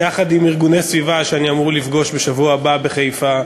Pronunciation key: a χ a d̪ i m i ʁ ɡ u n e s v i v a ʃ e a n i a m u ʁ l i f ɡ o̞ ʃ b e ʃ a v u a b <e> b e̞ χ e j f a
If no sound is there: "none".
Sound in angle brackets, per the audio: a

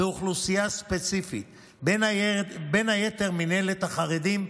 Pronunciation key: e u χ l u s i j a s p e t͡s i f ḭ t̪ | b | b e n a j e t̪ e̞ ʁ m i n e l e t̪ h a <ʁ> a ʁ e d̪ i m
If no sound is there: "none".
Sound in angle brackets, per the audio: χ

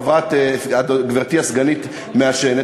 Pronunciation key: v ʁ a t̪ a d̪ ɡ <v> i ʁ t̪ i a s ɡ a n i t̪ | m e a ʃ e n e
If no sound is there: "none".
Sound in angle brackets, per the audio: v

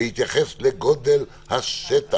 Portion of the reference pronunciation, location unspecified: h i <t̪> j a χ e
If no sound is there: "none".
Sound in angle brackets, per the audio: t̪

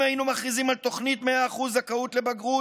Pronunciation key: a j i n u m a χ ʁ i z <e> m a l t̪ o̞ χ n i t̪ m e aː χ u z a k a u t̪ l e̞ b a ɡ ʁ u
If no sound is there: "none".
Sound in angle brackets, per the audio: i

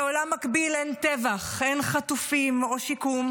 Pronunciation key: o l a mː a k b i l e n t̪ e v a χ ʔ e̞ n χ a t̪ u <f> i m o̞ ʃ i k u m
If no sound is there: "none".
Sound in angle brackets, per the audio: f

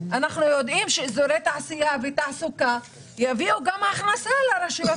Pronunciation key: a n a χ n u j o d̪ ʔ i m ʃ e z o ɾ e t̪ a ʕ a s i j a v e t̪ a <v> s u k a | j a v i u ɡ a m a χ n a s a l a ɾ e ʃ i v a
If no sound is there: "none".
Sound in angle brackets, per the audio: ʕ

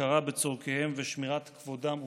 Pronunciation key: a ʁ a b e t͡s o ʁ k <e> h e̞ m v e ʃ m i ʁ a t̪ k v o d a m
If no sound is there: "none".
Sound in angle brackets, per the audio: e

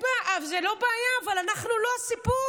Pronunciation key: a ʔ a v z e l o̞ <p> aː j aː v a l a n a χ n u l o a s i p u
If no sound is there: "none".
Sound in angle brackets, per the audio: b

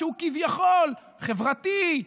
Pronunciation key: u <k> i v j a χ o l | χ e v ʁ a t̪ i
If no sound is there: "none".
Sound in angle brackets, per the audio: k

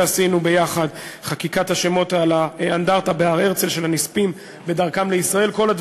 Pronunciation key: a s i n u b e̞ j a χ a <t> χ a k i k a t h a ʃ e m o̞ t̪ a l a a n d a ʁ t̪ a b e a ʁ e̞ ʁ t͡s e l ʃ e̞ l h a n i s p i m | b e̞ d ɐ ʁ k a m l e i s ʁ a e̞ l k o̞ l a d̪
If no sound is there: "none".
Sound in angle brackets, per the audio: d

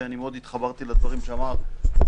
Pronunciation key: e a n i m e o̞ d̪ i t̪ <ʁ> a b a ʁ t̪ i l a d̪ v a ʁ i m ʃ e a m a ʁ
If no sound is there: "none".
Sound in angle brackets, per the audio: χ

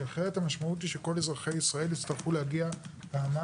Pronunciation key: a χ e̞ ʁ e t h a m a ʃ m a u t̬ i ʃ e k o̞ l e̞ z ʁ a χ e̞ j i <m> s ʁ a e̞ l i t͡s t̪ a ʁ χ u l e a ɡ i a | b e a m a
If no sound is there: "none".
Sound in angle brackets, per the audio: none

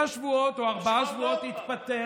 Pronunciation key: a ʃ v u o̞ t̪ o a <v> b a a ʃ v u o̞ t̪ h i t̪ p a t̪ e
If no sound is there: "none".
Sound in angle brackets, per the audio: ʁ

